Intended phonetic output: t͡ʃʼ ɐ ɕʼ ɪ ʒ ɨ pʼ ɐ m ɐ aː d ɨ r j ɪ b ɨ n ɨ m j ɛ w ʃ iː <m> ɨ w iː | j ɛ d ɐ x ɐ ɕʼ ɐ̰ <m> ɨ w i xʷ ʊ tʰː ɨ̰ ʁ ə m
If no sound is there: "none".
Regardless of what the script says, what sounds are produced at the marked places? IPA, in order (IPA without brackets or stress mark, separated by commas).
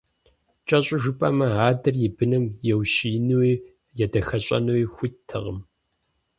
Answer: n, n